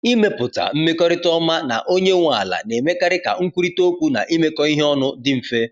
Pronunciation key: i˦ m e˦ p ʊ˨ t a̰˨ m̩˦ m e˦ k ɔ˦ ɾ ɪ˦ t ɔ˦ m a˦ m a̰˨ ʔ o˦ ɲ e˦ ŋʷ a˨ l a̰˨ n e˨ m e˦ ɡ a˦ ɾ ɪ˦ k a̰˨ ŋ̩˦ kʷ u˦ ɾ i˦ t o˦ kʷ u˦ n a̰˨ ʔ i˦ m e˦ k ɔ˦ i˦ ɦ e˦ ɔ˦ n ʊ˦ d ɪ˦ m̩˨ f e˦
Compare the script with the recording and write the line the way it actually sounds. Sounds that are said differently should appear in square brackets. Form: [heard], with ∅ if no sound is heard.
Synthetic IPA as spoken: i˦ m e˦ p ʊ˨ t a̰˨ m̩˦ m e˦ k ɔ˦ ɾ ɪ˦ t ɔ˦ m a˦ [n] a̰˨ ʔ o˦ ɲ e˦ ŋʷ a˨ l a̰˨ n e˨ m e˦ [k] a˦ ɾ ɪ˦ k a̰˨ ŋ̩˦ kʷ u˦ ɾ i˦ t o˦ kʷ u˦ n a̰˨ ʔ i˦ m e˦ k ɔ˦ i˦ ɦ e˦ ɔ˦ n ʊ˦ d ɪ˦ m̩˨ f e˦